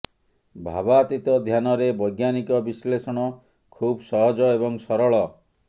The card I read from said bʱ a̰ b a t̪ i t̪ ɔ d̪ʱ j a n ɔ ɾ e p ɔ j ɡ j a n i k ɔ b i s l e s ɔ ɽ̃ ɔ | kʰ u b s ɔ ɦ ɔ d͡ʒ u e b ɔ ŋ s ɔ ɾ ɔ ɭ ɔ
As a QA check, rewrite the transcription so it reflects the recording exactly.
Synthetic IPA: bʱ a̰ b a t̪ i t̪ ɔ d̪ʱ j a n ɔ ɾ e b ɔ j ɡ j a n i k ɔ b i s l e s ɔ ɽ̃ ɔ | kʰ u b s ɔ ɦ ɔ d͡ʒ ɔ e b ɔ ŋ s ɔ ɾ ɔ ɭ ɔ